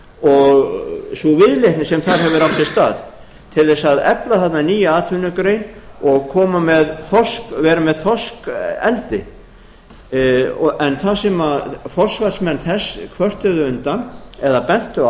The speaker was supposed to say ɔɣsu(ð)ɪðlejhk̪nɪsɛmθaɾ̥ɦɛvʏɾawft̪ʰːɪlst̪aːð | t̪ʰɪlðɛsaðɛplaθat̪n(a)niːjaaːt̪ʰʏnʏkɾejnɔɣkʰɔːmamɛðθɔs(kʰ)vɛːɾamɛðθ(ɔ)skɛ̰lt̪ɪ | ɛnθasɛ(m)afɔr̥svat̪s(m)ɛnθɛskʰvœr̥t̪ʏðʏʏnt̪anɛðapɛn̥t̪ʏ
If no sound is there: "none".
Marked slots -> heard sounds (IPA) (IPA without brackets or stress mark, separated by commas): v, a, k, ɔ, m, m